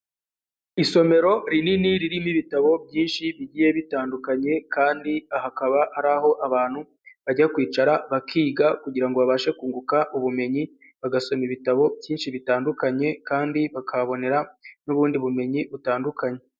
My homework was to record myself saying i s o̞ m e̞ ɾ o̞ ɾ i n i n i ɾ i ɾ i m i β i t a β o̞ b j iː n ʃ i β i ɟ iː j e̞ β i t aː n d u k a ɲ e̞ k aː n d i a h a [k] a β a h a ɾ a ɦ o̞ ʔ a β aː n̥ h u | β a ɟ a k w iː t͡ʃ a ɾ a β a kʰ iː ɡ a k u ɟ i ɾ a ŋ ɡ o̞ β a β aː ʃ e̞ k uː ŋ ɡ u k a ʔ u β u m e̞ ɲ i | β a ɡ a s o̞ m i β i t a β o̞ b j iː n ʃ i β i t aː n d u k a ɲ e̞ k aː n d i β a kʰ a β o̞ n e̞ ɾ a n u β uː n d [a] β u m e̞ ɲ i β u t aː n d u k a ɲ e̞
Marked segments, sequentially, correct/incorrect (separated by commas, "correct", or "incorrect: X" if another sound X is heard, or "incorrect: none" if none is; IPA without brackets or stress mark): correct, incorrect: i